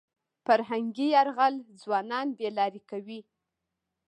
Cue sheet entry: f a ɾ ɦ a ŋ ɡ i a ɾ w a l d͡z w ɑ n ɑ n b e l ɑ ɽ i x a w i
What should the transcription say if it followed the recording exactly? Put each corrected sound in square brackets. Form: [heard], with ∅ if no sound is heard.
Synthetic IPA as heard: f a ɾ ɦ a ŋ ɡ i a ɾ [ɣ] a l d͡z w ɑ n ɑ n b e l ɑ [ɾ] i [k] a w i